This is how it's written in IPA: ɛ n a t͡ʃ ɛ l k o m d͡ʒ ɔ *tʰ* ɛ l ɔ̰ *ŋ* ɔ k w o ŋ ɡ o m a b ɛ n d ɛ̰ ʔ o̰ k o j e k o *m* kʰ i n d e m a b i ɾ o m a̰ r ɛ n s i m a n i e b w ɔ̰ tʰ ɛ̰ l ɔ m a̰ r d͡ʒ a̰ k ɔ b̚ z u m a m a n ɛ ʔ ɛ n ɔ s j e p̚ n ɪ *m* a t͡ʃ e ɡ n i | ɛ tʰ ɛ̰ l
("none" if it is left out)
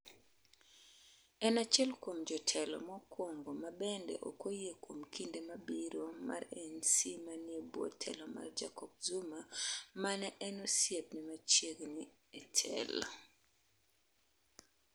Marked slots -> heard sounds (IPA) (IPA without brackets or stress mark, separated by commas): tʰ, m, m, m